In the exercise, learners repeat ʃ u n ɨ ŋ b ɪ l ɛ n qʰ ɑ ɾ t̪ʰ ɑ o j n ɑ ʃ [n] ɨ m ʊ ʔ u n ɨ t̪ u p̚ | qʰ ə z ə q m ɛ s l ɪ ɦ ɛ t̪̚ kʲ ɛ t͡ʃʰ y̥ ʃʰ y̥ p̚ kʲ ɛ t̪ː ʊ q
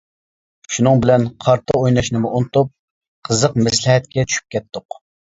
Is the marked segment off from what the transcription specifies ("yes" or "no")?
no